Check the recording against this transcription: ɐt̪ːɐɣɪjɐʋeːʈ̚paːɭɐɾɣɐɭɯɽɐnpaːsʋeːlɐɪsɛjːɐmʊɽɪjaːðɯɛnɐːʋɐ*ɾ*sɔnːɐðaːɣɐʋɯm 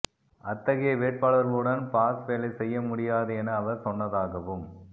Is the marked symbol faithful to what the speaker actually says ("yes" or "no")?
yes